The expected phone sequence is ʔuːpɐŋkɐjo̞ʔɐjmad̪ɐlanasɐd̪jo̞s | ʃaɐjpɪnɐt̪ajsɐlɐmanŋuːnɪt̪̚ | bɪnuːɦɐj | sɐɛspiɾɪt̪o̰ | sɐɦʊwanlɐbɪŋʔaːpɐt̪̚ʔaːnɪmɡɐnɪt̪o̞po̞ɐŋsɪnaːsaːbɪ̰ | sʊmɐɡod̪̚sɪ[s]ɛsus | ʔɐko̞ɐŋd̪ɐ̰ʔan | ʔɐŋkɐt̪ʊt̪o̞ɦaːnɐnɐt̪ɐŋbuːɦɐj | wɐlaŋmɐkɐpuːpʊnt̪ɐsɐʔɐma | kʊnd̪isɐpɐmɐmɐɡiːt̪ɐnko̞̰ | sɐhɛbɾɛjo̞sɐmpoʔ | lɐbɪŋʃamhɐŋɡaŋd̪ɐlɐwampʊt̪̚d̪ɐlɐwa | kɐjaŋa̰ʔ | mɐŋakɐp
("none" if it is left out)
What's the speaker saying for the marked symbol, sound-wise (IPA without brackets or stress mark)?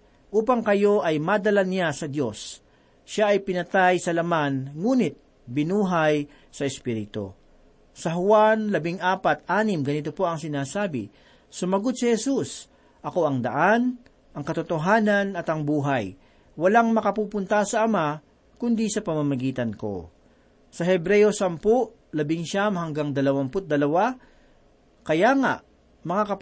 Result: h